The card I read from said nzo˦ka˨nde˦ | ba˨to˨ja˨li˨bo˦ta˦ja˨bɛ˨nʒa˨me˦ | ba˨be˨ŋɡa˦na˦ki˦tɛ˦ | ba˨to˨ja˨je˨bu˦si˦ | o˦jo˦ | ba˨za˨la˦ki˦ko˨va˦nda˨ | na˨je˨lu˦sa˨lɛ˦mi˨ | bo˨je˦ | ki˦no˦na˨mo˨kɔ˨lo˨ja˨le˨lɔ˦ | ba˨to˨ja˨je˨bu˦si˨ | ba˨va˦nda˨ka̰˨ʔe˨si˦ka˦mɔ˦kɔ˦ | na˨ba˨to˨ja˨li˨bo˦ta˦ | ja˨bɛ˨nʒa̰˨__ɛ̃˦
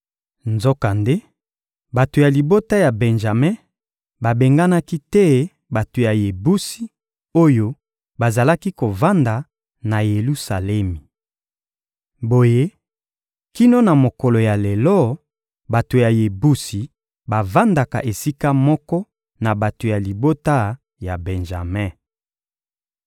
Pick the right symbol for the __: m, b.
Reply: m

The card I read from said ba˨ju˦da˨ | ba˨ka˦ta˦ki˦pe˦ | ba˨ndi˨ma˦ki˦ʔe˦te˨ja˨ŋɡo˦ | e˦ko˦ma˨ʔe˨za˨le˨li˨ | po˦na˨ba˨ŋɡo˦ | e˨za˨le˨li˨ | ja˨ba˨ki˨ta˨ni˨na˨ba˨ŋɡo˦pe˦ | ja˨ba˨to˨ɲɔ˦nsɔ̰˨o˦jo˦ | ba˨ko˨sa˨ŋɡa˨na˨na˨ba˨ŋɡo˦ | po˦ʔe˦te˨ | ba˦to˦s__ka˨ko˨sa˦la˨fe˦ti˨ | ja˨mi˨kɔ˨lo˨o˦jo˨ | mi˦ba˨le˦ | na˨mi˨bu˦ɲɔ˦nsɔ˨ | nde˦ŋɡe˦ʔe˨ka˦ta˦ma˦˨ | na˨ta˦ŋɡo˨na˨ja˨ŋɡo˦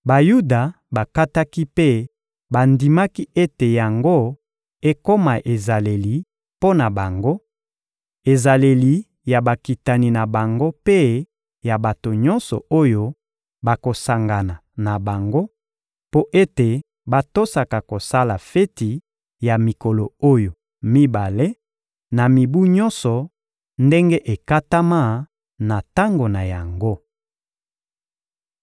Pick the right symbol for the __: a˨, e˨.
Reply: a˨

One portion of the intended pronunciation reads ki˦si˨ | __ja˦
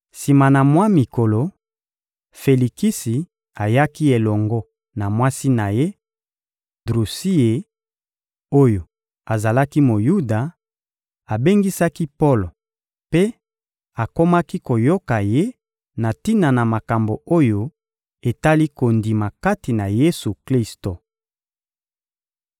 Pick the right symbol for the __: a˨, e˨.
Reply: a˨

